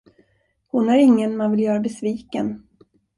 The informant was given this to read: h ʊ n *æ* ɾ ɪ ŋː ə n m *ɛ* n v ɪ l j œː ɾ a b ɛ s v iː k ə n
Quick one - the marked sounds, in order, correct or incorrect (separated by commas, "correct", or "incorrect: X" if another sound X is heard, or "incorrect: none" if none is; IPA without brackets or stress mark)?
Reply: correct, incorrect: a